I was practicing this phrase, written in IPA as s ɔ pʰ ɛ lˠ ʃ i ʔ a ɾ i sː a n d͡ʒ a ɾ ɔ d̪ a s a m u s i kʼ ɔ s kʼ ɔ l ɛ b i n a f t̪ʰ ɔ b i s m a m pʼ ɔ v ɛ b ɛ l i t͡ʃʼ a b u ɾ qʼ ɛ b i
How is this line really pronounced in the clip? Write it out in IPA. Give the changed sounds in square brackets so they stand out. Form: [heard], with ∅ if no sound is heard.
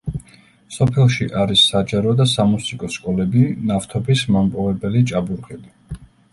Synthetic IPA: s ɔ pʰ ɛ lˠ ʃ i ʔ a ɾ i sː a [∅] d͡ʒ a ɾ ɔ d̪ a s a m u s i kʼ ɔ s kʼ ɔ l ɛ b i n a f t̪ʰ ɔ b i s m a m pʼ ɔ v ɛ b ɛ l i t͡ʃʼ a b u ɾ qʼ ɛ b i